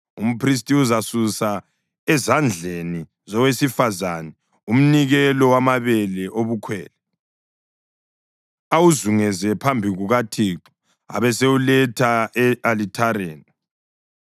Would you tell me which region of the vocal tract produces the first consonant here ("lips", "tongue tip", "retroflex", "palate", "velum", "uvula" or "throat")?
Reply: lips